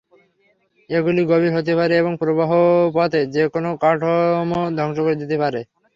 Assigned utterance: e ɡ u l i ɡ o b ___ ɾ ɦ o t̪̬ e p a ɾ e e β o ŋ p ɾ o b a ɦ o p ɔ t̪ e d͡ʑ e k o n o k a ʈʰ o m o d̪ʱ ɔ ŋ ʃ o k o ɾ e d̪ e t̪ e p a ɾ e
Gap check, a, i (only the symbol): i